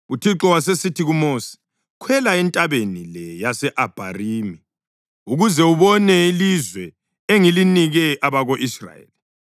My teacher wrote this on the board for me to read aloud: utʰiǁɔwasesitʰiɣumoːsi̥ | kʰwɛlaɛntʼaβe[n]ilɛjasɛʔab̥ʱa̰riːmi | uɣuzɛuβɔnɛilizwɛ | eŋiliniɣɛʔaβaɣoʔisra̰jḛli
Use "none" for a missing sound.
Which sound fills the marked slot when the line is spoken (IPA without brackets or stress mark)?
n